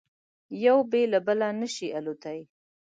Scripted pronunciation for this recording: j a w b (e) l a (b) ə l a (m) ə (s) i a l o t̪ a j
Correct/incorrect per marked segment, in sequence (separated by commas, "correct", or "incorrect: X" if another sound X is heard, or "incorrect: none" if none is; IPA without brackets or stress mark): correct, correct, incorrect: n, incorrect: ʃ